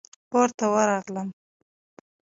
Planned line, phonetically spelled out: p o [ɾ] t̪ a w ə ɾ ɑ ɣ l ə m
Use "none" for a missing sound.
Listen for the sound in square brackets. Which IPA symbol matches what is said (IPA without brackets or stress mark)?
ɾ